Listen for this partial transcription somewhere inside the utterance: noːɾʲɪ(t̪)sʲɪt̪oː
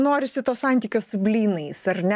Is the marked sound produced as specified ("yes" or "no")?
no